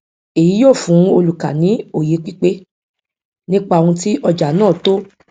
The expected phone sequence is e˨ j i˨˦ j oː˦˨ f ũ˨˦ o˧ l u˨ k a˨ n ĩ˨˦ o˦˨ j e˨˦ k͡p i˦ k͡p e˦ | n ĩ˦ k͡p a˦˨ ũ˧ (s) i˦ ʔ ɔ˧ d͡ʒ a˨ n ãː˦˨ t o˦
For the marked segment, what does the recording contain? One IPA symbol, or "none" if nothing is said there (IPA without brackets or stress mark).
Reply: t